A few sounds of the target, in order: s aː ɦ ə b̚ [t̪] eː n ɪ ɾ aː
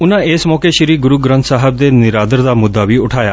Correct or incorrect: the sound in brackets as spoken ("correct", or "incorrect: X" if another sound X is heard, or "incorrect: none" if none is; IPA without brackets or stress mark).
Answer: incorrect: d̪